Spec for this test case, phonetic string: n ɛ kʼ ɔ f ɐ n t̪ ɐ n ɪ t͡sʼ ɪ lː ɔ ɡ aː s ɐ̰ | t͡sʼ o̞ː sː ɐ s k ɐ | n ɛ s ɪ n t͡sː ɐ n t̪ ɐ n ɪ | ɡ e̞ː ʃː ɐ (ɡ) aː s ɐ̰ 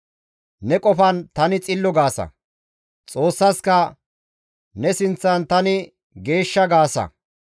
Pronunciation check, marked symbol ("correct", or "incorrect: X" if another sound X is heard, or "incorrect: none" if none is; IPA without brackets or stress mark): correct